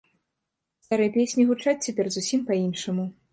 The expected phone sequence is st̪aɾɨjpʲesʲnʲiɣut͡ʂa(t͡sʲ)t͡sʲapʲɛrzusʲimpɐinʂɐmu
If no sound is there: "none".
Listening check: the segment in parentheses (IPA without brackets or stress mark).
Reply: t͡sʲ